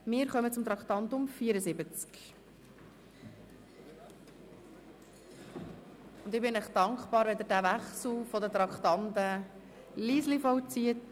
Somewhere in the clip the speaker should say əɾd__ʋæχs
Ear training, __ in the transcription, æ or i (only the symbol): æ